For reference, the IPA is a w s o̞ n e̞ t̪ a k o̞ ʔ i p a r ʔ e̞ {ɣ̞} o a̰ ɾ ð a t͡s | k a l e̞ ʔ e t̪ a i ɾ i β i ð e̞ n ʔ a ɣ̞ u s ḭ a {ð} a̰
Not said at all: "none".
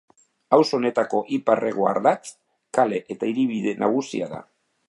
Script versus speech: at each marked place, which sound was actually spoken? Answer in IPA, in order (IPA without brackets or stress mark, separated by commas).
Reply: ɣ̞, ð